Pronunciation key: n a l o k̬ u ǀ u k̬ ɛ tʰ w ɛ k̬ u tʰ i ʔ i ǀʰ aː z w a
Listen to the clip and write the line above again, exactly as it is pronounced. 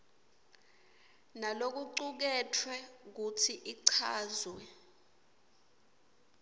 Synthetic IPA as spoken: n a l o k̬ u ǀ u k̬ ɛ tʰ w ɛ k̬ u tʰ i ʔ i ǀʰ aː z w ɛ